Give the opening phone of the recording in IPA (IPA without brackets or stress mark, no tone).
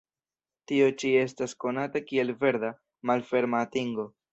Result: t